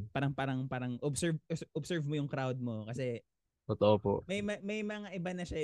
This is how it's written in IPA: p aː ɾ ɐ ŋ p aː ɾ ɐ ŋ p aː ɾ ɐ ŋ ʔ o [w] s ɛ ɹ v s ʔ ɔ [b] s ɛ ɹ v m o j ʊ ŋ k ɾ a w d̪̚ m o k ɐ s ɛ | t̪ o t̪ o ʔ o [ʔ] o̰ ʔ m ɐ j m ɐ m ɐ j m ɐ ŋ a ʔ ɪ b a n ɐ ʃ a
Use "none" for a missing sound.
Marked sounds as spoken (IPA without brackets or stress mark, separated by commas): b, b, p